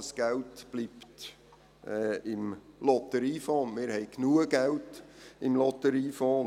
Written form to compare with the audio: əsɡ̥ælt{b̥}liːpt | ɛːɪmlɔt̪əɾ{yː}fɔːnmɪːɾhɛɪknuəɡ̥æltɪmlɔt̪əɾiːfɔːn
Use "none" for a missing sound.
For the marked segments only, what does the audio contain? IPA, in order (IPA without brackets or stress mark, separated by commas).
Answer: b̥, iː